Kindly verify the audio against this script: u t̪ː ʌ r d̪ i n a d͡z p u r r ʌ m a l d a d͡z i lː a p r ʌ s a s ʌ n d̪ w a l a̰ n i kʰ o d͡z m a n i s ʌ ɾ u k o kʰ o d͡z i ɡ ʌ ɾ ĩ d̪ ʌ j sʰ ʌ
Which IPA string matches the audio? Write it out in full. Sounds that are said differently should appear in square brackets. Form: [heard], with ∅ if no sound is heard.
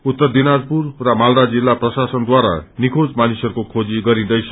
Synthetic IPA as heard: u t̪ː ʌ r d̪ i n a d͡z p u r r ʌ m a l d a d͡z i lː a p r ʌ s a s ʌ n d̪ w a [ɾ] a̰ n i kʰ o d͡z m a n i s ʌ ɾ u k o kʰ o d͡z i ɡ ʌ ɾ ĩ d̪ ʌ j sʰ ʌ